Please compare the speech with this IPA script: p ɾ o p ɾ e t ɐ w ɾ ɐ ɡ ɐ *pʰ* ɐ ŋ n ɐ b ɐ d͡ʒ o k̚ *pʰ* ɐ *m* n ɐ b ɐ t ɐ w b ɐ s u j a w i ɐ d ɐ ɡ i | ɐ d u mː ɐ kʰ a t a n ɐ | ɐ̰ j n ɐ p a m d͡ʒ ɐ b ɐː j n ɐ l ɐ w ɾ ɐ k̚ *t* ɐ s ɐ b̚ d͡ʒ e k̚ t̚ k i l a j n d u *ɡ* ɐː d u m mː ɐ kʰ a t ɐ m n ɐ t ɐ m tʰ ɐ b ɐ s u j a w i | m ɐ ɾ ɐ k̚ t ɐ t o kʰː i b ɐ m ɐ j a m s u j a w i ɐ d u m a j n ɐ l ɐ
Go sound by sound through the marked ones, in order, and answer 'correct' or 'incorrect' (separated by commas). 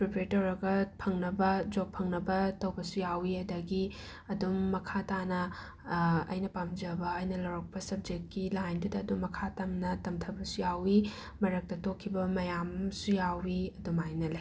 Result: correct, correct, incorrect, incorrect, incorrect